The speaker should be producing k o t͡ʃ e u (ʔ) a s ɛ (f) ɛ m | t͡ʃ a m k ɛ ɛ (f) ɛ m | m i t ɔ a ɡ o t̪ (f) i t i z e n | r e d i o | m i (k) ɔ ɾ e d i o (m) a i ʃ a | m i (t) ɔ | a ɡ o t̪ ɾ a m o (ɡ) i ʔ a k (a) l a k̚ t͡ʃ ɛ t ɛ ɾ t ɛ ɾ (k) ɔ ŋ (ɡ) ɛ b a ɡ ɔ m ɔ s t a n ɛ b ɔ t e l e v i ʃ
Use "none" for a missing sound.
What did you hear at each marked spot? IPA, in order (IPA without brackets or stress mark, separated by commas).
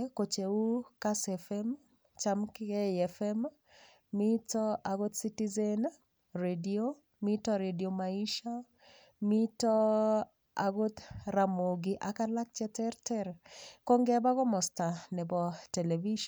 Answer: k, f, f, s, t, m, t, ɡ, a, k, ɡ